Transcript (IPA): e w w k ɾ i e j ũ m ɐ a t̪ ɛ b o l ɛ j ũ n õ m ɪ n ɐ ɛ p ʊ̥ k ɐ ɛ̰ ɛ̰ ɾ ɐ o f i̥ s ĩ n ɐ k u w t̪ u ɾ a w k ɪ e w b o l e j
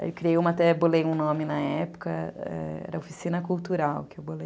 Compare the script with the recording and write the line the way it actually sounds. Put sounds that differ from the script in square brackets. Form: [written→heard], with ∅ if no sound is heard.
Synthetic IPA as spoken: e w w k ɾ i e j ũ m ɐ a t̪ ɛ b o l [ɛ→e] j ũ n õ m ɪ n ɐ ɛ p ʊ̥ k ɐ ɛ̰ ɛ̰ ɾ ɐ o f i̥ s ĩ n ɐ k u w t̪ u ɾ a w k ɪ e w b o l e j